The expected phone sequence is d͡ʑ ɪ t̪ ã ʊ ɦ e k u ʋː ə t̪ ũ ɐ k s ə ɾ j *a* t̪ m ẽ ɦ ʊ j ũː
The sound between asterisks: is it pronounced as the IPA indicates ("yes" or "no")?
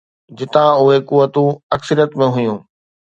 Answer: no